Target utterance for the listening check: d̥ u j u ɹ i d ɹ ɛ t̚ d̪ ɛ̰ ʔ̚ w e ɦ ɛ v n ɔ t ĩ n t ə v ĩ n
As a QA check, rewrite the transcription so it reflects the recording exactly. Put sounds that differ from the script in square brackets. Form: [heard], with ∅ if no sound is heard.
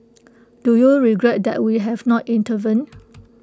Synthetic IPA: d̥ u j u ɹ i [ɡ] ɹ ɛ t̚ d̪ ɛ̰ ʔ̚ w [i] ɦ ɛ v n ɔ t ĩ n t ə v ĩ n